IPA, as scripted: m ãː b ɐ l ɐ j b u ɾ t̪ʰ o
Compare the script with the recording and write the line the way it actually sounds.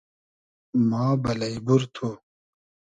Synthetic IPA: m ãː b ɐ l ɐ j b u ɾ t̪ʰ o